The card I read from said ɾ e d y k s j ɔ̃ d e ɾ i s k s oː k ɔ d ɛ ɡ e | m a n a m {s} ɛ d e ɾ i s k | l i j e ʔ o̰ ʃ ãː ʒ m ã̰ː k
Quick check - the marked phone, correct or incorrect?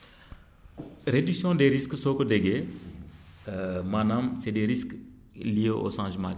correct